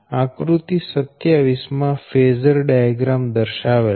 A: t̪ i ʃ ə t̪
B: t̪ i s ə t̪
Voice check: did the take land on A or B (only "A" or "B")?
B